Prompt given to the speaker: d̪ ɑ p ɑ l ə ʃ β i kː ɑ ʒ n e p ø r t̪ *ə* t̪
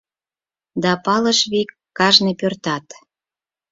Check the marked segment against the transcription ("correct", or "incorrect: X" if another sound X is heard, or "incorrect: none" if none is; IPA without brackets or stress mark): incorrect: ɑ